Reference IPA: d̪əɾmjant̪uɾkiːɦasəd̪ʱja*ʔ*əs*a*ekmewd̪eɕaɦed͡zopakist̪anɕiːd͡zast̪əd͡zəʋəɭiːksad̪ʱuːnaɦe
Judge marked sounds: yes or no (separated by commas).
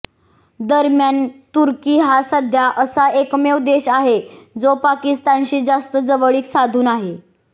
yes, yes